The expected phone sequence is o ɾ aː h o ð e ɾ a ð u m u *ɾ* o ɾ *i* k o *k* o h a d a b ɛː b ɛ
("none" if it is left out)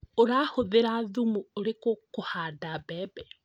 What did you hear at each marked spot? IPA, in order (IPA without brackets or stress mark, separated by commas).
none, e, k